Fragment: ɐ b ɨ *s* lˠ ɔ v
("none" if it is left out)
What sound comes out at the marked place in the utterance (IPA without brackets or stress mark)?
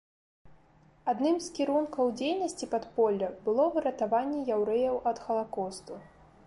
none